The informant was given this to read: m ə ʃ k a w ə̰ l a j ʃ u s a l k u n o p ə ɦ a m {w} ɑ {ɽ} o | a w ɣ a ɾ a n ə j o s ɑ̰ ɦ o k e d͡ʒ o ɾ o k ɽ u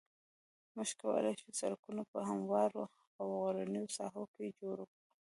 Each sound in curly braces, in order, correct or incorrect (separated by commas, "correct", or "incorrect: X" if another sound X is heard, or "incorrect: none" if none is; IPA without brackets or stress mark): correct, incorrect: ɾ